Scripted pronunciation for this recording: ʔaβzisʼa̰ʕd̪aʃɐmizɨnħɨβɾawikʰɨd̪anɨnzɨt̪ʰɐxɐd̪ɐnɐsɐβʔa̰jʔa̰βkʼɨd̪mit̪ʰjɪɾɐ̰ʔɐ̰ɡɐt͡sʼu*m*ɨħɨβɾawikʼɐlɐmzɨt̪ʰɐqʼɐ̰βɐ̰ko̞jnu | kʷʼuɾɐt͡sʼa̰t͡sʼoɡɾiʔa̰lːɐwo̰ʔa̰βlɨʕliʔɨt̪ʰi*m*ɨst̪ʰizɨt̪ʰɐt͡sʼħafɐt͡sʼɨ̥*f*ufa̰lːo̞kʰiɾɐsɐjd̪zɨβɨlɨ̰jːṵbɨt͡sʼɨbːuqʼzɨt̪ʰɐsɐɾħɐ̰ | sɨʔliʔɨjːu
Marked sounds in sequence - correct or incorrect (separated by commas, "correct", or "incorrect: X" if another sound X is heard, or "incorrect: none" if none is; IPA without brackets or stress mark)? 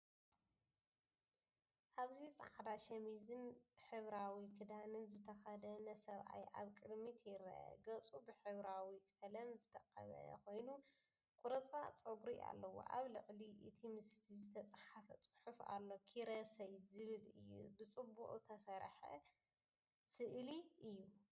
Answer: incorrect: b, correct, incorrect: ħ